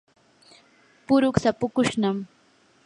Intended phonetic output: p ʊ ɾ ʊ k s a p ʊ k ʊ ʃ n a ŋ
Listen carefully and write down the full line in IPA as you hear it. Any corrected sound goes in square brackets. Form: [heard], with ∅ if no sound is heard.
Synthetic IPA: p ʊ ɾ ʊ k s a p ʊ k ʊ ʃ n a [m]